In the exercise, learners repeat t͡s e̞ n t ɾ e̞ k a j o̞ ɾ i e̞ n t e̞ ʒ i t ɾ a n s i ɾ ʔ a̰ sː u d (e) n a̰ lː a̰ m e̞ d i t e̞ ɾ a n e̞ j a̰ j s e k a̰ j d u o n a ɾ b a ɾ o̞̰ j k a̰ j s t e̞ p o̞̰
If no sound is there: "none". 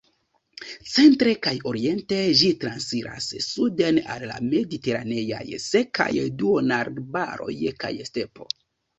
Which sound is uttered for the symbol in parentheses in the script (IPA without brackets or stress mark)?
e